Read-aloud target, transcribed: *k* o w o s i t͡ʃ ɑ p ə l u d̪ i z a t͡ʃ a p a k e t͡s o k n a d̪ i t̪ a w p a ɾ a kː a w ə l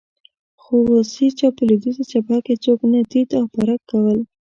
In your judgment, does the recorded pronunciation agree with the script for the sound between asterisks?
no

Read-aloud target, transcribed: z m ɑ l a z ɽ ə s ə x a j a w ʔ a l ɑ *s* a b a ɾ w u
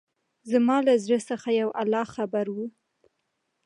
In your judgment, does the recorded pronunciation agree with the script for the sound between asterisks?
no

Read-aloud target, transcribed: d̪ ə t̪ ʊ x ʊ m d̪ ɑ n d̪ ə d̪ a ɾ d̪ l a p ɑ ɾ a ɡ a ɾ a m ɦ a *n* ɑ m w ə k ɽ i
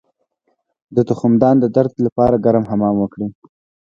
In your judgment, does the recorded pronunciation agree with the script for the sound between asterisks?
no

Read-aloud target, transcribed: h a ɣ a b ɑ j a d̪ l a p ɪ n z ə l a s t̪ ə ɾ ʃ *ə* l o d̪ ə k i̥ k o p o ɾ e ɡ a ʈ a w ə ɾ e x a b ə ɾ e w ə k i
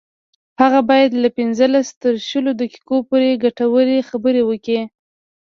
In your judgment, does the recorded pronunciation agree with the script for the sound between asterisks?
yes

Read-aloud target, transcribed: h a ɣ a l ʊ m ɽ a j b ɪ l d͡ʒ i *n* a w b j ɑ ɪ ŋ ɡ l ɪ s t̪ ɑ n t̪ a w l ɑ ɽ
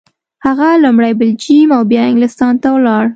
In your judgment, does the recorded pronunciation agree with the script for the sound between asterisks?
no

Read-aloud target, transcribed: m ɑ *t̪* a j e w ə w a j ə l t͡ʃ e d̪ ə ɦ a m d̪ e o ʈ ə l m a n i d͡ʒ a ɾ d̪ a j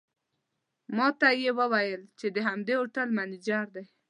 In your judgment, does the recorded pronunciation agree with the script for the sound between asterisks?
yes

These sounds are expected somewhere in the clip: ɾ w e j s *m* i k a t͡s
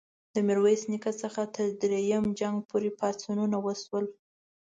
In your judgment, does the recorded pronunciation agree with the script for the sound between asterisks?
no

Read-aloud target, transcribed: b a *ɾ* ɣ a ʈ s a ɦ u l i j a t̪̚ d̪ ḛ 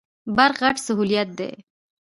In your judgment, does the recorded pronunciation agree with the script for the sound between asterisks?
yes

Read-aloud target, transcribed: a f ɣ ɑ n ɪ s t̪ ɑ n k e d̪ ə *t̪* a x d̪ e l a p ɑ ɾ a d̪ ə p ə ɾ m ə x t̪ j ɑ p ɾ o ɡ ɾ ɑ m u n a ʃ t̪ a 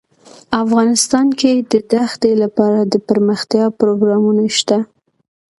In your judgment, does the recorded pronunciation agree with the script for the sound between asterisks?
no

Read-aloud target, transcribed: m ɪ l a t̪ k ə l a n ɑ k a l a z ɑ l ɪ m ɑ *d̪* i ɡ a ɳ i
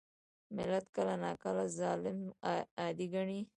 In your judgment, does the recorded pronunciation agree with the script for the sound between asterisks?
yes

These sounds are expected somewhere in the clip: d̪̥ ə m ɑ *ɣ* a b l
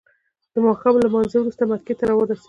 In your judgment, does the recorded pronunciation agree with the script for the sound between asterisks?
no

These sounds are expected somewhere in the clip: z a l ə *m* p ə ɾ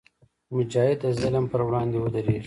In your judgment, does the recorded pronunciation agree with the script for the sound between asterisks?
yes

